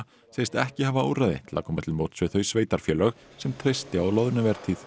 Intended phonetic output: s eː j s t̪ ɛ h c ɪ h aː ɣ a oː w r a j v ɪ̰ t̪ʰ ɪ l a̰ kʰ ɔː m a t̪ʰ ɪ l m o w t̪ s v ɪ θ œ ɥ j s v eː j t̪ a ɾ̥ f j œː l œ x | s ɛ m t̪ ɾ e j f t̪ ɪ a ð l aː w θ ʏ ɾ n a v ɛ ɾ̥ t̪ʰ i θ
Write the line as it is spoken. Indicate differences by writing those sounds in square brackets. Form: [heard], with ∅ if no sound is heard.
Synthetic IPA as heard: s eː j s t̪ ɛ h c ɪ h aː [v] a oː w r a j [ð] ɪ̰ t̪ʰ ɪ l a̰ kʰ ɔː m a t̪ʰ ɪ l m o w t̪ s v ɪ θ œ ɥ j s v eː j t̪ a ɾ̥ f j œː l œ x | s ɛ m [t̪ʰ] ɾ e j [s] t̪ ɪ a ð l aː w [ð] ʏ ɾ n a v ɛ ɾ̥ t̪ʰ i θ